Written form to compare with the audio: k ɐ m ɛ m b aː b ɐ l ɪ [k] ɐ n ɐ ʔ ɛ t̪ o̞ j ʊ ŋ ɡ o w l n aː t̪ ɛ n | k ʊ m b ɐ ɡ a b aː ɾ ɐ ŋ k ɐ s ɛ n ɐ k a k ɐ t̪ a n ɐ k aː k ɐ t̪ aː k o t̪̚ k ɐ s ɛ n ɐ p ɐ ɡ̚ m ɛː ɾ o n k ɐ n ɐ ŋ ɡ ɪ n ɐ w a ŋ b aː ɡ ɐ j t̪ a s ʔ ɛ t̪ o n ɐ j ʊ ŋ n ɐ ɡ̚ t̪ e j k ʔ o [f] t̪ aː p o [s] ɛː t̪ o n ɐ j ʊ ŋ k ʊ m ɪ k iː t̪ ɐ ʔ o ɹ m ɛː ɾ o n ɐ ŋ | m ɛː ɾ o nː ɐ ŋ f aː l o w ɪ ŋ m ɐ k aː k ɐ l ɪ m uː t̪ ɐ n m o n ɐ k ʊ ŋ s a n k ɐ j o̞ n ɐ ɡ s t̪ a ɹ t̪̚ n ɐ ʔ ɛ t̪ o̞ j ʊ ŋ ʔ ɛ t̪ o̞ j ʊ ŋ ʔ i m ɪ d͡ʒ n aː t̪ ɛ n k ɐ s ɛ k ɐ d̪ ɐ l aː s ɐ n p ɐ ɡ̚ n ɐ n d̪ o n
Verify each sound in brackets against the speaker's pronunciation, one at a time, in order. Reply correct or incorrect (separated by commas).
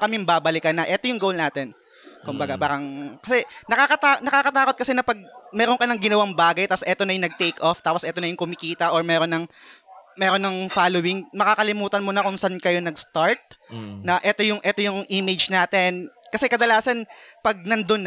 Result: correct, correct, correct